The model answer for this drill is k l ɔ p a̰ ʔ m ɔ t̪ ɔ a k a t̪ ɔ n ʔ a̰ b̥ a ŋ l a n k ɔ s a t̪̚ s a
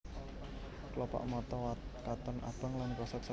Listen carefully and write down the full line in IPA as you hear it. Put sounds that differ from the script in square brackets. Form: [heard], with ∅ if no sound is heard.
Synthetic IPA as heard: k l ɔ p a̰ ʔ m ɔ t̪ ɔ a k a t̪ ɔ n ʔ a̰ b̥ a ŋ l a n k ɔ s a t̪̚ s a